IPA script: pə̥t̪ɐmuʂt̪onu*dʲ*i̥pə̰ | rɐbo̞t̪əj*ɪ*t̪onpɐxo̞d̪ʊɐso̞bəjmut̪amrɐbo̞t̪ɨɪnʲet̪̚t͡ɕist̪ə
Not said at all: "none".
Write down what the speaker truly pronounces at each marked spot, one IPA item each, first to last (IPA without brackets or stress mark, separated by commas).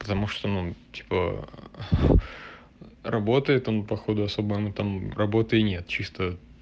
tʲ, ɪ